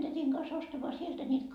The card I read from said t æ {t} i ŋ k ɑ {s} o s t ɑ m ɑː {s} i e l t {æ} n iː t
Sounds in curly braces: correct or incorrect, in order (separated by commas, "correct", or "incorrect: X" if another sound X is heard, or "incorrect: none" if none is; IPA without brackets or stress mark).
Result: correct, correct, correct, correct